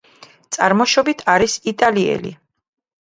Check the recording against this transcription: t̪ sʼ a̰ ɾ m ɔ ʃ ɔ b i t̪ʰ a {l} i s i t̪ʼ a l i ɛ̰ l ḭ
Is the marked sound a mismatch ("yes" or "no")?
yes